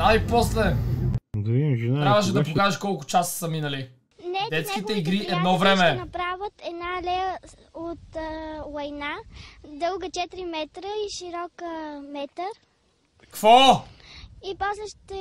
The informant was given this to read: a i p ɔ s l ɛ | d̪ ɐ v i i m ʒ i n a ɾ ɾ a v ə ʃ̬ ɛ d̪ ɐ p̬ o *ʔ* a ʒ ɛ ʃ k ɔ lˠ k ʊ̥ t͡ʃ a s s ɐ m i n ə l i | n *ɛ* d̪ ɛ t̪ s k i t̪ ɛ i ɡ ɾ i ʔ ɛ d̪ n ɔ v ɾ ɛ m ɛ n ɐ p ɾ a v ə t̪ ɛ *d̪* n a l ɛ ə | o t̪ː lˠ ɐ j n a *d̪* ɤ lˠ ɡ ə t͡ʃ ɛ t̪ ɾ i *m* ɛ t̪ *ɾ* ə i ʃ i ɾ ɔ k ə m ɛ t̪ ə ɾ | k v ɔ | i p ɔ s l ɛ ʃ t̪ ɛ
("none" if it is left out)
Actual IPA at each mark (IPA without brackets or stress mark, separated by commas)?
k, ɛ, d̪, d̪, m, ɾ